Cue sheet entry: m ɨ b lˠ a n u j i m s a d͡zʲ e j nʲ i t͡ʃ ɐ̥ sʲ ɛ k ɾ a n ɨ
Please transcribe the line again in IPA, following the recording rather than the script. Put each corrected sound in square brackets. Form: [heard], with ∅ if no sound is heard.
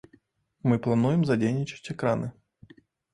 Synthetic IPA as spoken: m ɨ [p] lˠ a n u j [ɛ] m [z] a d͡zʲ e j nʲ i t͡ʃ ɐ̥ [t͡sʲ] ɛ k ɾ a n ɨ